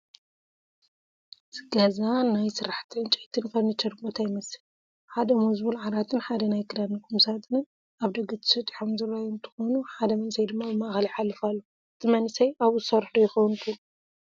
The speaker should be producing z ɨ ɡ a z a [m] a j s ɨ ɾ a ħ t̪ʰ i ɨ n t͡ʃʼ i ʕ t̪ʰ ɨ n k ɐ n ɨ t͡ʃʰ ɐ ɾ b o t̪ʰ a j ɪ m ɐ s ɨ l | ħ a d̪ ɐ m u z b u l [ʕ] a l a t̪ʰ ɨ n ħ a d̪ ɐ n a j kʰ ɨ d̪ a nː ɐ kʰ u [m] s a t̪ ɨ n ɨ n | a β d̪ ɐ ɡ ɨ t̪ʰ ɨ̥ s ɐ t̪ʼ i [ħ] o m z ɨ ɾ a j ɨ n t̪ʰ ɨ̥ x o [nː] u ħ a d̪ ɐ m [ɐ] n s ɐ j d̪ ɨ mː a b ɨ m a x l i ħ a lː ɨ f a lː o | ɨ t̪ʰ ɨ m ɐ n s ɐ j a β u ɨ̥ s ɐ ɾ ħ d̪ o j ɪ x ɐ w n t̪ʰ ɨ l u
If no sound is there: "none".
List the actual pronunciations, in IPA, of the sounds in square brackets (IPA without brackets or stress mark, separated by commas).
n, ʕ, m, ħ, n, ɐ